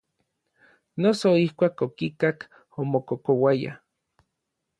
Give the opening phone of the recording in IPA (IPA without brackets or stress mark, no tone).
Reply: n